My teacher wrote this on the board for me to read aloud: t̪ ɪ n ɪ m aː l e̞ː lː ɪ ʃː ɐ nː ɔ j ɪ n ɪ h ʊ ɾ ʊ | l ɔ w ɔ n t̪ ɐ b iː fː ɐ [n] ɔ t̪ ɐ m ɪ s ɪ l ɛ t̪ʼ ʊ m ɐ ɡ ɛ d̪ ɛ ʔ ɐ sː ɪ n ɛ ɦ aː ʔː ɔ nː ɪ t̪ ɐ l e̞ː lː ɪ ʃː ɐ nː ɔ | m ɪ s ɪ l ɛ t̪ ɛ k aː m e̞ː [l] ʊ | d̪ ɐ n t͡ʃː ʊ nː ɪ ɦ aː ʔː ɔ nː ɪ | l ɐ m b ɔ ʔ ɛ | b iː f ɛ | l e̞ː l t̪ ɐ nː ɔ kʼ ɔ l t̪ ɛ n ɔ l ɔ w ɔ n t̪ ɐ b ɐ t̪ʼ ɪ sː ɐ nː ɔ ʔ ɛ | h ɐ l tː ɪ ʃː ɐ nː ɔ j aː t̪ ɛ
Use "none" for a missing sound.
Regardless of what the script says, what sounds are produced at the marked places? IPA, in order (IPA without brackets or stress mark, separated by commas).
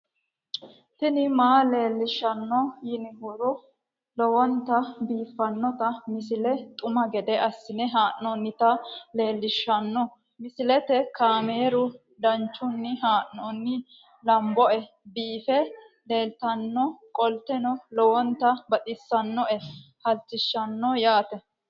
nː, ɾ